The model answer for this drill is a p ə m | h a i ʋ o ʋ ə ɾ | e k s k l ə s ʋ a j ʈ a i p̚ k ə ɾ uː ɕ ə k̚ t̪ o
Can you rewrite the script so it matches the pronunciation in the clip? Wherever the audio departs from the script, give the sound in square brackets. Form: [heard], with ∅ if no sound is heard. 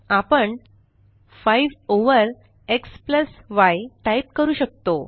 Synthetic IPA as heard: a p ə [ɳ] | [f] a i ʋ o ʋ ə ɾ | e k s [p] l ə s ʋ a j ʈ a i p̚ k ə ɾ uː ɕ ə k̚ t̪ o